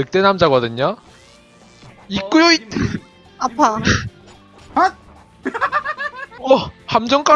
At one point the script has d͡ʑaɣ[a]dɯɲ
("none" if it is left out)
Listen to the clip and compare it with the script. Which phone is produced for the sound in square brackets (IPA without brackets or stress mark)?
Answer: ʌ